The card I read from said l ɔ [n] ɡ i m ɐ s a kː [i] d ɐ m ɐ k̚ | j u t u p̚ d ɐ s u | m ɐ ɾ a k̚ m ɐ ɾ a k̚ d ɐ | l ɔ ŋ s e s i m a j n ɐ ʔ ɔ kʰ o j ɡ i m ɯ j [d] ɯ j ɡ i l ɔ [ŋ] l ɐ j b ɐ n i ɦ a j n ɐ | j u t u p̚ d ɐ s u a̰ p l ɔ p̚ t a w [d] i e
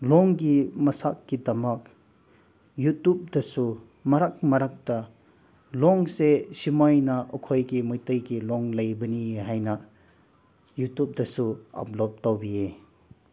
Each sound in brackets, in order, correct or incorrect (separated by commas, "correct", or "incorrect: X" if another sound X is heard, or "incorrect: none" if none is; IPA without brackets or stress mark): incorrect: ŋ, correct, incorrect: t, correct, incorrect: b